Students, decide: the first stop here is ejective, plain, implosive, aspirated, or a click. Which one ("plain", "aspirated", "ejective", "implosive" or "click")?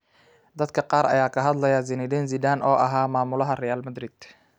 plain